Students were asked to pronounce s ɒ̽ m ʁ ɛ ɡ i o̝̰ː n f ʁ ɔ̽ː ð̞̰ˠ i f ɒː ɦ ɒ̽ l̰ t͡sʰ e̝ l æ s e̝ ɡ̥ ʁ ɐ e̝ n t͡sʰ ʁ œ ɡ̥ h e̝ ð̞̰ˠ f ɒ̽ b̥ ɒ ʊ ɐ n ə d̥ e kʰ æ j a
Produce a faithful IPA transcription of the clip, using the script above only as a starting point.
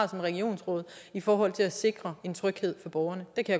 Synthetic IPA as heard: s ɒ̽ m ʁ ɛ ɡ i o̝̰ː n s ʁ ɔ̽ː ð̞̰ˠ i f ɒː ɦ ɒ̽ l̰ t͡sʰ e̝ l æ s e̝ ɡ̥ ʁ ɐ e̝ n t͡sʰ ʁ œ ɡ̥ h e̝ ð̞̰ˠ f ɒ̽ b̥ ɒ ʊ ɐ n ə d̥ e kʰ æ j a